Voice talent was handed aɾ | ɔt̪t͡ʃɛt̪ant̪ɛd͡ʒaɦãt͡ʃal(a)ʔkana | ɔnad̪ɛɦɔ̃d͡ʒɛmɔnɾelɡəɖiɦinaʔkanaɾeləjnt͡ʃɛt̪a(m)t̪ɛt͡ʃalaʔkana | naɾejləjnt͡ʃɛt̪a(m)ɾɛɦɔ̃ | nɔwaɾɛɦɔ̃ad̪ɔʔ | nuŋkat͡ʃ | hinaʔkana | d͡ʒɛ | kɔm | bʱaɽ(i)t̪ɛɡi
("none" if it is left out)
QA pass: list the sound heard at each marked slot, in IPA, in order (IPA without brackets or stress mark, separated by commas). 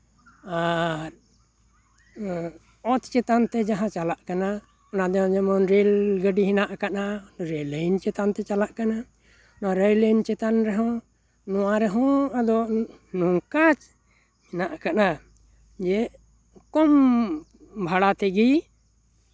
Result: a, n, n, a